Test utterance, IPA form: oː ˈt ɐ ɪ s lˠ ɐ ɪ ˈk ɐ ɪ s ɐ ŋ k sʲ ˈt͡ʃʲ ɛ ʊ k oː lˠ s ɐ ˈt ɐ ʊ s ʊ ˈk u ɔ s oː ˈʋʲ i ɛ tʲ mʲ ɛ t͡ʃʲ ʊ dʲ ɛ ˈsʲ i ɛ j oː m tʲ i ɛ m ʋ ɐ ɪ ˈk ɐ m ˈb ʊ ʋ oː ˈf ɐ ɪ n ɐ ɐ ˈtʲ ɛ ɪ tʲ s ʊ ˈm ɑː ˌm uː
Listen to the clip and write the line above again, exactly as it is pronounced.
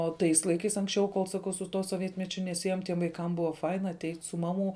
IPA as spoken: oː ˈt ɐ ɪ s lˠ ɐ ɪ ˈk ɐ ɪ s ɐ ŋ k sʲ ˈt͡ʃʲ ɛ ʊ k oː lˠ s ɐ ˈk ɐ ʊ s ʊ ˈt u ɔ s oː ˈʋʲ i ɛ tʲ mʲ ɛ t͡ʃʲ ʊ nʲ ɛ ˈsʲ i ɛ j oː m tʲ i ɛ m ʋ ɐ ɪ ˈk ɐ m ˈb ʊ ʋ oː ˈf ɐ ɪ n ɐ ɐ ˈtʲ ɛ ɪ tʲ s ʊ ˈm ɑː ˌm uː